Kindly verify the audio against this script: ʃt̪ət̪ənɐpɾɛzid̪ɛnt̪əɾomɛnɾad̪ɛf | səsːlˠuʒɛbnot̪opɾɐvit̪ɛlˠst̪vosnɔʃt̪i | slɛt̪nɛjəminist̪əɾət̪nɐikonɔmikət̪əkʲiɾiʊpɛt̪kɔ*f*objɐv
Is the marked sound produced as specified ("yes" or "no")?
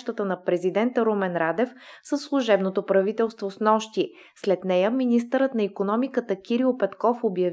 yes